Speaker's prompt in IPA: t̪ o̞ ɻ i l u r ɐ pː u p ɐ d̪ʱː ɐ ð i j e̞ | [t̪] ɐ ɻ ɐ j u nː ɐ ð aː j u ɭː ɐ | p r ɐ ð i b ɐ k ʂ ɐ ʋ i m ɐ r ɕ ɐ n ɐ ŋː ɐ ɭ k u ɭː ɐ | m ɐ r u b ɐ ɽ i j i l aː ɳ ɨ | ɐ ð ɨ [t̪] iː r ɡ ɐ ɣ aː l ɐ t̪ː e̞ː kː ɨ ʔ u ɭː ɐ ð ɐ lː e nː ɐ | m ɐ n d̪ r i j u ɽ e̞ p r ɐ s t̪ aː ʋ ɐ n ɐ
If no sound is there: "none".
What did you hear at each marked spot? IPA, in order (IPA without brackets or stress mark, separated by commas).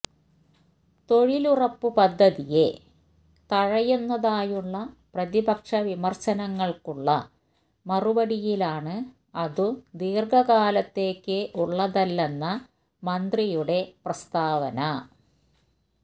t̪, d̪